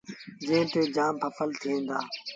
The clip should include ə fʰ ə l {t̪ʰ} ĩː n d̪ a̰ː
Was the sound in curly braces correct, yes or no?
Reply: yes